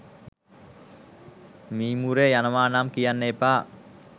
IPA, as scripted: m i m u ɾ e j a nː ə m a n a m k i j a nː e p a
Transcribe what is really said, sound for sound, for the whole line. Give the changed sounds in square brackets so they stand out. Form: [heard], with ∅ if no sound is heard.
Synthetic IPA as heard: m i m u ɾ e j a [n] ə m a n a m k i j a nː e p a